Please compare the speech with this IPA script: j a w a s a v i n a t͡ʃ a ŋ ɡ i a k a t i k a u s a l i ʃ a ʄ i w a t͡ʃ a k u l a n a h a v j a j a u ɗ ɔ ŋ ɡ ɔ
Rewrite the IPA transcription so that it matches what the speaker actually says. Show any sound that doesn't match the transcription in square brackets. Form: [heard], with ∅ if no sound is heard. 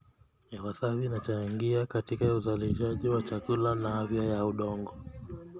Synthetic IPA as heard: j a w a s a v i n a t͡ʃ a ŋ ɡ i a k a t i k a u [z] a l i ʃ a ʄ i w a t͡ʃ a k u l a n a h a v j a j a u ɗ ɔ ŋ ɡ ɔ